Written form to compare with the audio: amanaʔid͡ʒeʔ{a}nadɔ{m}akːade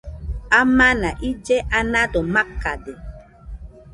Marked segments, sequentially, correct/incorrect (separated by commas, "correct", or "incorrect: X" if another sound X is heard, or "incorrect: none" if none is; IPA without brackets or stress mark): correct, correct